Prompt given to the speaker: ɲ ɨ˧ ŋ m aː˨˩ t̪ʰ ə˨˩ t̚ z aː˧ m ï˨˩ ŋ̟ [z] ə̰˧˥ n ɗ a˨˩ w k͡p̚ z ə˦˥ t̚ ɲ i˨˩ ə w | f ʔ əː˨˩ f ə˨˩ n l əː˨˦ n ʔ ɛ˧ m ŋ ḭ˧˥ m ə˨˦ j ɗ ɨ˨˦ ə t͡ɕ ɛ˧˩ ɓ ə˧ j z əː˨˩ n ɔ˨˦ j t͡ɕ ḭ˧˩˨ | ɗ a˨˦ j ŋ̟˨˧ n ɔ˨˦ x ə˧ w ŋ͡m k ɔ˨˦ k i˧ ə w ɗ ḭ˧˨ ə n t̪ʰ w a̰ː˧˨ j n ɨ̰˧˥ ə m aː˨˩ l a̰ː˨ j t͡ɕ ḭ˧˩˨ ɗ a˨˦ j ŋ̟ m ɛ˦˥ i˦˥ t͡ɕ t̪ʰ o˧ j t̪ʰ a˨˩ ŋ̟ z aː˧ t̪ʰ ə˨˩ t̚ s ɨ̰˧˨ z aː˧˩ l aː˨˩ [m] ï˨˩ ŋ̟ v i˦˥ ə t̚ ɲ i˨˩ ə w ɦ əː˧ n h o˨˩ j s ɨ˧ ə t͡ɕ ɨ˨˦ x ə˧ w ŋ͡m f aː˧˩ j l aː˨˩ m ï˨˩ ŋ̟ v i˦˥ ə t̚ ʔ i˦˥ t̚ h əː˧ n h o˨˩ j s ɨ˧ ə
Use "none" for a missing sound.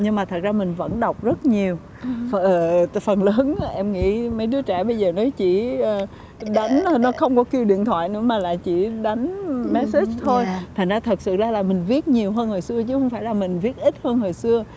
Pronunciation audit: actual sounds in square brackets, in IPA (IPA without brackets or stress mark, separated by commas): v, m